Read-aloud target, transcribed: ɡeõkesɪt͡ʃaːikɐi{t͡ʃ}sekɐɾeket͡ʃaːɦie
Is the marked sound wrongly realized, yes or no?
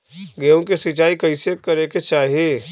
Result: yes